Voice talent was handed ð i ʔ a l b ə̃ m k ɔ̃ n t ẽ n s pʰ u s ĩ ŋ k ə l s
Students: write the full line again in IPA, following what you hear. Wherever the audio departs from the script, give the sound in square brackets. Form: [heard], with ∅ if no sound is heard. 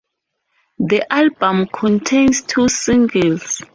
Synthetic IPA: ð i ʔ a l b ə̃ m [kʰ] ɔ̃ n [tʰ] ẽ n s [tʰ] u s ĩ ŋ [ɡ] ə l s